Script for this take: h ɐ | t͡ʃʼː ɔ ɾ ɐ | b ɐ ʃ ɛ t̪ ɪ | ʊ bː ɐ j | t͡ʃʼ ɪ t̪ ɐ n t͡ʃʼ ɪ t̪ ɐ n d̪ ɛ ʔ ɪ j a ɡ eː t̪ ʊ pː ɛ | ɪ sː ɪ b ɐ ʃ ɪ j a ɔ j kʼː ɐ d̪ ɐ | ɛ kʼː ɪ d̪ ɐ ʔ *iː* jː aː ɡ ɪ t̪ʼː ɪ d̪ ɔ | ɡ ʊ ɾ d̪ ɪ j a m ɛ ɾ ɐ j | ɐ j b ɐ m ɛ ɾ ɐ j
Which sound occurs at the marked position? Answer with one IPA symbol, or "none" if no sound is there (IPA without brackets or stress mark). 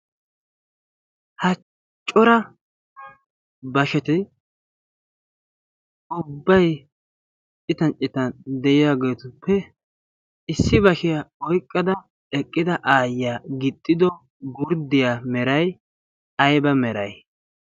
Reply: aː